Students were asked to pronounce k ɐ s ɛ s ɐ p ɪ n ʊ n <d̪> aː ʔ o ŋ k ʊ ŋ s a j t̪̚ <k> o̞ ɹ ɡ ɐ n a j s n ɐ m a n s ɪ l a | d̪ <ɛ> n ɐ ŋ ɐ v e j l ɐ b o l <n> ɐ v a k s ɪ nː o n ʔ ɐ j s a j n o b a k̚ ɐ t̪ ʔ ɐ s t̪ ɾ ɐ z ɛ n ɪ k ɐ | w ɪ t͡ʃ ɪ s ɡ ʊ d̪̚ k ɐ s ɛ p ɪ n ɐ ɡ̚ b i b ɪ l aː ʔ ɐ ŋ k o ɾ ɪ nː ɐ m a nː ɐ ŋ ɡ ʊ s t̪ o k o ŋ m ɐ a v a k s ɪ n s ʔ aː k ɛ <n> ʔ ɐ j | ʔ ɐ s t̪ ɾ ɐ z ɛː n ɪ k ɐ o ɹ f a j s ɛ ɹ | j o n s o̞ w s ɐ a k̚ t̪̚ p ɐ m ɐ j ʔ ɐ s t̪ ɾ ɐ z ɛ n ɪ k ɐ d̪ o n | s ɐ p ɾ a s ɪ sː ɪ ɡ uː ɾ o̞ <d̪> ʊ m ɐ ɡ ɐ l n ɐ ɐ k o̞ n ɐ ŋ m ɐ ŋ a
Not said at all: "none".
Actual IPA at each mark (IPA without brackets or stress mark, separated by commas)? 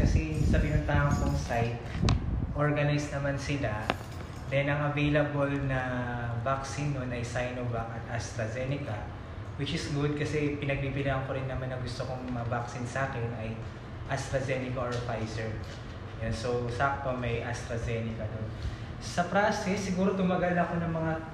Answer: t̪, ʔ, ɛ, n, n, t̪